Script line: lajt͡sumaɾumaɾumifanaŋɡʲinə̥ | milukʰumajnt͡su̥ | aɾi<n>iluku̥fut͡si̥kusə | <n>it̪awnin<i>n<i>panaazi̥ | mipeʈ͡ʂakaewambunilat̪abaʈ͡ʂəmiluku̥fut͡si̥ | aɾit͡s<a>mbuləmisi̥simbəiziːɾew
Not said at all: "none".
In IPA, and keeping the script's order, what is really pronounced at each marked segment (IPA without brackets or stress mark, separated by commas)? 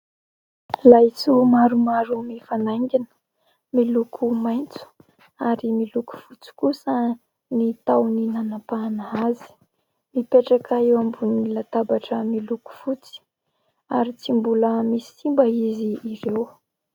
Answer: m, n, a, a, i